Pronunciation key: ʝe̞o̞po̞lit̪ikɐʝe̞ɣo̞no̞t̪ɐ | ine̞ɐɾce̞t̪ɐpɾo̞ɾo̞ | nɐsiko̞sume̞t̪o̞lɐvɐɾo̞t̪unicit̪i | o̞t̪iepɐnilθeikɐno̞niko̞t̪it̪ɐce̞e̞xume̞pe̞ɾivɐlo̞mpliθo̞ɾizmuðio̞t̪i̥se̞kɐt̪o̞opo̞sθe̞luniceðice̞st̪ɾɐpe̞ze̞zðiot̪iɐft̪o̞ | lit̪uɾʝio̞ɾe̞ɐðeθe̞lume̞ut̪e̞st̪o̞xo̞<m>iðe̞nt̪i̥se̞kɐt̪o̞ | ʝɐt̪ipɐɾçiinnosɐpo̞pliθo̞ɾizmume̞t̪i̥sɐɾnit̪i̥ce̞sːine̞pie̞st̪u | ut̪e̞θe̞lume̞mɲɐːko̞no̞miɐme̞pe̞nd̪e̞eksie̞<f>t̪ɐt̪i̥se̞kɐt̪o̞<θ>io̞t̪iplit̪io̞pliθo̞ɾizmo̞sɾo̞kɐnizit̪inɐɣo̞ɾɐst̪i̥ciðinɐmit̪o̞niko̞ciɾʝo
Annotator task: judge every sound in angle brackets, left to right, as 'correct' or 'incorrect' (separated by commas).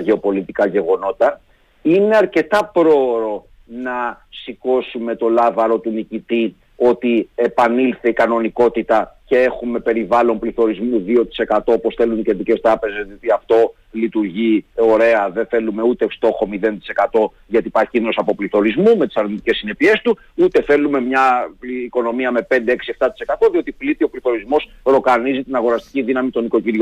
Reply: correct, correct, incorrect